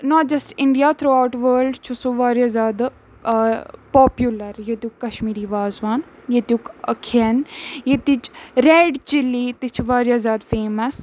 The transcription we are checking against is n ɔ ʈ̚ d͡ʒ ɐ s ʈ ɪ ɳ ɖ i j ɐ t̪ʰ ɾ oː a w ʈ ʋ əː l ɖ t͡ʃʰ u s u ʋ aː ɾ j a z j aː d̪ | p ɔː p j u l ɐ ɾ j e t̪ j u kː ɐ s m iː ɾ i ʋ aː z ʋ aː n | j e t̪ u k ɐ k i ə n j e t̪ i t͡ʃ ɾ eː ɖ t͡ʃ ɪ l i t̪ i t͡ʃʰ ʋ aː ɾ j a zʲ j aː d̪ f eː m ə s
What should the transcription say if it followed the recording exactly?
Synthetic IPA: n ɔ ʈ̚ d͡ʒ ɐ s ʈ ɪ ɳ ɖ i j a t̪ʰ ɾ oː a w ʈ ʋ əː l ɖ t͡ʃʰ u s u ʋ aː ɾ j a z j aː d̪ | p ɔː p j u l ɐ ɾ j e t̪ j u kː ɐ ʃ m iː ɾ i ʋ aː z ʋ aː n | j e t̪ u k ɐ kʰ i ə n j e t̪ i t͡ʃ ɾ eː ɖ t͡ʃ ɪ l i t̪ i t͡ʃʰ ʋ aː ɾ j a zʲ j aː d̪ f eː m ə s